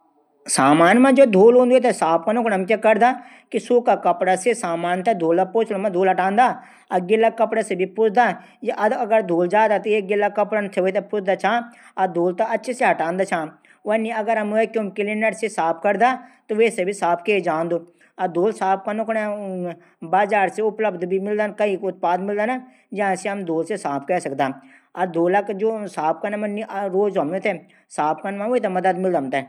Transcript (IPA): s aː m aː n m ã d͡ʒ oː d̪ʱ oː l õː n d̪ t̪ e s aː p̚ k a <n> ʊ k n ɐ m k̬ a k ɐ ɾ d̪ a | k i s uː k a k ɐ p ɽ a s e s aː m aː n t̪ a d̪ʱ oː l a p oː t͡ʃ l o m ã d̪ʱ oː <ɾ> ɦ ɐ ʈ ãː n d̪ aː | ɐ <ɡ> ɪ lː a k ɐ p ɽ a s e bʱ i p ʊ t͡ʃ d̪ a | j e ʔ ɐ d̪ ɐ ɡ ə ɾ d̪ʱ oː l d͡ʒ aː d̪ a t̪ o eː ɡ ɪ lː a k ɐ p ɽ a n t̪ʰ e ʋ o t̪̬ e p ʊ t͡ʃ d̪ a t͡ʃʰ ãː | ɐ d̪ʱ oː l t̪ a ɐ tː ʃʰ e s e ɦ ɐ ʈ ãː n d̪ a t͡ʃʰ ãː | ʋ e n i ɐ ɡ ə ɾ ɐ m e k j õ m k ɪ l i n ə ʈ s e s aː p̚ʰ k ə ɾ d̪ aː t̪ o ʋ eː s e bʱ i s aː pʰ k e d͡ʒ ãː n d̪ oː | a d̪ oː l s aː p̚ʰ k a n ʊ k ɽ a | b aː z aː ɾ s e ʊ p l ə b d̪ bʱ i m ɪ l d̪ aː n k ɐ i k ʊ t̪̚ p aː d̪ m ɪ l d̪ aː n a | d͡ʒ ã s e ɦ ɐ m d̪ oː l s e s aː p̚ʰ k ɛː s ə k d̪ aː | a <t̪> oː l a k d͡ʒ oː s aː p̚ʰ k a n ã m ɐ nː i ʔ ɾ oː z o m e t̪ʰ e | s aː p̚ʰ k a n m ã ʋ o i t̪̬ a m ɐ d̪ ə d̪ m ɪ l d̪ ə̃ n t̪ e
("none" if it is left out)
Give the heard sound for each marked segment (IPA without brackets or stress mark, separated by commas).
n, l, ɡ, d̪